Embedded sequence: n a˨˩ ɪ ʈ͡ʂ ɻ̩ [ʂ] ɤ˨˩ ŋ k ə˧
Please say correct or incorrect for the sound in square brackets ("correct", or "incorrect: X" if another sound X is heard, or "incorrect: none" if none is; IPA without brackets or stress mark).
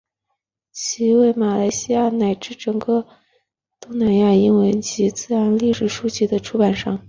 incorrect: ʈ͡ʂ